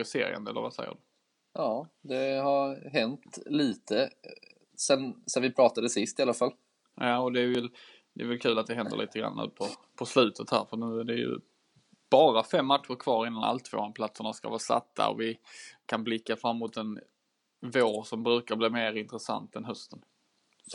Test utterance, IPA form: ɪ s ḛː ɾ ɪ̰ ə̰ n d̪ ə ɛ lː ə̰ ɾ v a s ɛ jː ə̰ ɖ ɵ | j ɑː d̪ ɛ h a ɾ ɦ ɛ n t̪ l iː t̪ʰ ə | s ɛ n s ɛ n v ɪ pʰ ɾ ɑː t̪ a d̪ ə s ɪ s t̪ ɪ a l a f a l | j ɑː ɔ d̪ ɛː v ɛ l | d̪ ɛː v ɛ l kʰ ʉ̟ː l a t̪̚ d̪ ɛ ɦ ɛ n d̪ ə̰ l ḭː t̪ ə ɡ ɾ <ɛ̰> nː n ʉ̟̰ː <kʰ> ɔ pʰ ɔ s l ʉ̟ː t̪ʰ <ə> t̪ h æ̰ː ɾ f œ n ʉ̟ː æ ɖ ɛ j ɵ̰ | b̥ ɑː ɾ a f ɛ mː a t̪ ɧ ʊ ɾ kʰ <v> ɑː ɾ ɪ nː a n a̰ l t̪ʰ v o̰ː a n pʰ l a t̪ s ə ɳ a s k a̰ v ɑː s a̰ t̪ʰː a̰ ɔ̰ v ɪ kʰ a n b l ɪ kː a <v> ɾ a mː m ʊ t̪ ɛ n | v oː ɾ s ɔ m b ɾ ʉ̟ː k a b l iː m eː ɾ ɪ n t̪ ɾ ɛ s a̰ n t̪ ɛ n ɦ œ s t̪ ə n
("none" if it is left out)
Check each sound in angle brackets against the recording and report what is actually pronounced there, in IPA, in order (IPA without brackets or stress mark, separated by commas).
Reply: a̰, pʰ, ə, v, f